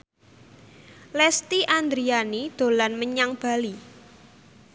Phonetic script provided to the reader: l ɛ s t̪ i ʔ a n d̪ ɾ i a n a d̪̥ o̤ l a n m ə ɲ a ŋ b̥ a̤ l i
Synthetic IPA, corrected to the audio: l ɛ s t̪ i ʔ a n d̪ ɾ i a n i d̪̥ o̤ l a n m ə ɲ a ŋ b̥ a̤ l i